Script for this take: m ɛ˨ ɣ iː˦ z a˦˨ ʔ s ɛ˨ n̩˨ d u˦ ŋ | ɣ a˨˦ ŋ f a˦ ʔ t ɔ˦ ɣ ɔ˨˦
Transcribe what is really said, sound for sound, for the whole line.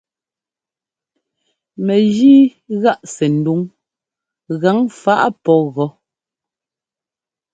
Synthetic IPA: m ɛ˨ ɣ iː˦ ɣ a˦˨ ʔ s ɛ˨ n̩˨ d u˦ ŋ | ɣ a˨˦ ŋ f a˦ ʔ p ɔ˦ ɣ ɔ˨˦